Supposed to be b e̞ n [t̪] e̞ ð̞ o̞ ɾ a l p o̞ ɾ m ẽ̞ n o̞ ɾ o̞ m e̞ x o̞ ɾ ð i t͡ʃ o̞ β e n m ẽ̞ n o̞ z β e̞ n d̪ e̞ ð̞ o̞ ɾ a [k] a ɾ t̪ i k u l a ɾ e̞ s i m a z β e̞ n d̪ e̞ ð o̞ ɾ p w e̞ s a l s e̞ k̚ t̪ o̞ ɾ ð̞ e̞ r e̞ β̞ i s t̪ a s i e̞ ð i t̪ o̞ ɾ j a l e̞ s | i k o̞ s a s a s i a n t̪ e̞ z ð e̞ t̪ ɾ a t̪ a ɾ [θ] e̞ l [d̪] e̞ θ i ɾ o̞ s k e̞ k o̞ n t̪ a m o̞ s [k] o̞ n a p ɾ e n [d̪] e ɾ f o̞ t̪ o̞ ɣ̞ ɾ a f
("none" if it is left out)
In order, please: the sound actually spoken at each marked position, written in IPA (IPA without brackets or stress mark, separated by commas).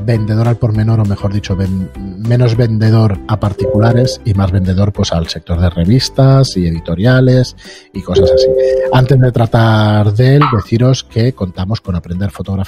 d̪, p, ð, d̪, k, d̪